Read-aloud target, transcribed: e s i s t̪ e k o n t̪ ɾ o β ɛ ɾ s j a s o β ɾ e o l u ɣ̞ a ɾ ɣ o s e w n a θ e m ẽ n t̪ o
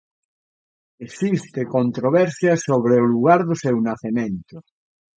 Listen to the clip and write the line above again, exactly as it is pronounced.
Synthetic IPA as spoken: e s i s t̪ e k o n t̪ ɾ o β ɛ ɾ s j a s o β ɾ e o l u ɣ̞ a ɾ ð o s e w n a θ e m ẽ n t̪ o